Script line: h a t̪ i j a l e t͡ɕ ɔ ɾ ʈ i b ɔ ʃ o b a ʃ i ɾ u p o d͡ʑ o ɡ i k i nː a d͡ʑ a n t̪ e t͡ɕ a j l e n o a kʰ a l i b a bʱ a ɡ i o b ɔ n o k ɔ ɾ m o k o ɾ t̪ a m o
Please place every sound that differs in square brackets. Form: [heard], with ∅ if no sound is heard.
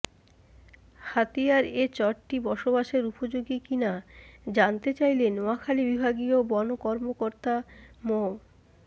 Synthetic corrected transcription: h a t̪ i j a [ɾ] e t͡ɕ ɔ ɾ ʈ i b ɔ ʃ o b a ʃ [e] ɾ u p o d͡ʑ o ɡ i k i [n] a d͡ʑ a n t̪ e t͡ɕ a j l e n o a kʰ a l i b [i] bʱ a ɡ i o b ɔ n o k ɔ ɾ m o k o ɾ t̪ a m o